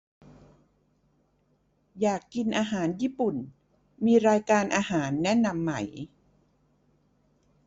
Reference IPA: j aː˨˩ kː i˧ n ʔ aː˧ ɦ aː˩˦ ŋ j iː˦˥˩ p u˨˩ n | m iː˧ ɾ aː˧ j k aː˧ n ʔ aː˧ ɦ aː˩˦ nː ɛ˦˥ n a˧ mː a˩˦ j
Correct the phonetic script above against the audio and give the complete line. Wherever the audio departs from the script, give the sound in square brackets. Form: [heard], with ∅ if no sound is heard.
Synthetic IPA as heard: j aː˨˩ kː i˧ n ʔ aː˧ ɦ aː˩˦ [n] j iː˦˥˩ p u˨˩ n | m iː˧ ɾ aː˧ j k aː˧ n ʔ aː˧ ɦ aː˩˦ nː ɛ˦˥ n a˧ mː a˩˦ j